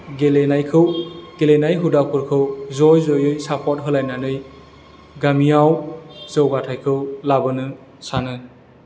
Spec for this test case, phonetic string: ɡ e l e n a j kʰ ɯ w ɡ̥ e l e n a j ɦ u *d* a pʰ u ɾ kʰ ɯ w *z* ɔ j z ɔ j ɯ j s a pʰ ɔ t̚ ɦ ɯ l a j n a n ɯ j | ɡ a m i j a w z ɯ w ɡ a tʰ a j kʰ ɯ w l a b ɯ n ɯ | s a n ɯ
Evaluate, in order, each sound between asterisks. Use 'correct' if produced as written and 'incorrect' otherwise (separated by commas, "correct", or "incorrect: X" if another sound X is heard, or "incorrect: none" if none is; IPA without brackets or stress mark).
correct, correct